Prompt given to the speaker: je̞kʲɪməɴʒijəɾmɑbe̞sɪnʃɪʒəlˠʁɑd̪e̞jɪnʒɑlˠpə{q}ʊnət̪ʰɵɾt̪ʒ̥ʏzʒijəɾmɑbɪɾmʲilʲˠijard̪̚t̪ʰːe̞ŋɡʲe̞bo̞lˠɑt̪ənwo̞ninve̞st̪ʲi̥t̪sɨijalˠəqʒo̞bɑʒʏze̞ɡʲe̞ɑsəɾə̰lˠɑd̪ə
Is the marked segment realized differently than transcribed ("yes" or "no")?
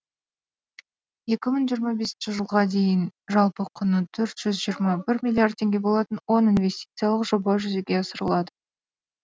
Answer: yes